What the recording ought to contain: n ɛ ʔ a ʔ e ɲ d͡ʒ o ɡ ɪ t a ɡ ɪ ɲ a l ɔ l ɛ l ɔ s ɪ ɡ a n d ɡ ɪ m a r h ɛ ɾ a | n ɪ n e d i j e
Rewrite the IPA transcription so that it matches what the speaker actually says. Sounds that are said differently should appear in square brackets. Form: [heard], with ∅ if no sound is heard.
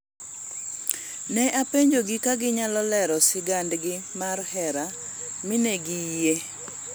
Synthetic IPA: n ɛ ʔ a [p] e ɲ d͡ʒ o ɡ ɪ [k] a ɡ ɪ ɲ a l ɔ l ɛ [ɾ] ɔ s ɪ ɡ a n d ɡ ɪ m a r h ɛ ɾ a | [m] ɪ n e [ɡ] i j e